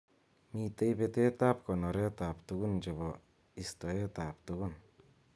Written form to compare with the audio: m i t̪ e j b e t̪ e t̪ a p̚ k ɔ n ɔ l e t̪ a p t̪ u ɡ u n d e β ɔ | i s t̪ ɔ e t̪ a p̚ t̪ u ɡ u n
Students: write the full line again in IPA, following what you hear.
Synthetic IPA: m i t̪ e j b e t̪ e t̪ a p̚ k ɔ n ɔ ɾ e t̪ a p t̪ u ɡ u n d͡ʒ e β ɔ | i s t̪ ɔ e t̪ a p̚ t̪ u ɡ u n

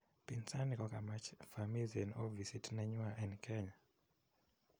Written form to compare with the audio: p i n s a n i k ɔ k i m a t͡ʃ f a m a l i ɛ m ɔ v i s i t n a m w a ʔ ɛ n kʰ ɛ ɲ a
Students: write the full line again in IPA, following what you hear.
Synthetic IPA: p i n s a n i k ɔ k a m a t͡ʃ f a m i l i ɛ n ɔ v i s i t n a ɲ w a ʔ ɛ n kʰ ɛ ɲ a

